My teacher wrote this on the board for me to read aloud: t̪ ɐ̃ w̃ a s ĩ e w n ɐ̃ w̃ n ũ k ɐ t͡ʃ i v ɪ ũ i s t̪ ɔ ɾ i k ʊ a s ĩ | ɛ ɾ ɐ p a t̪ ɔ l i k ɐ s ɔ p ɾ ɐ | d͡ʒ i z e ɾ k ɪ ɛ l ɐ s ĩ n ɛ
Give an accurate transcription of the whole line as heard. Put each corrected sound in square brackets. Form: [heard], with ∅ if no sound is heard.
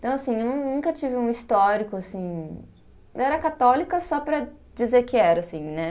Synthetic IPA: t̪ ɐ̃ w̃ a s ĩ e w n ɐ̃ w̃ n ũ k ɐ t͡ʃ i v ɪ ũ i s t̪ ɔ ɾ i k ʊ a s ĩ | ɛ ɾ ɐ [k] a t̪ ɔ l i k ɐ s ɔ p ɾ ɐ | d͡ʒ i z e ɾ k ɪ ɛ [ɾ] ɐ s ĩ n ɛ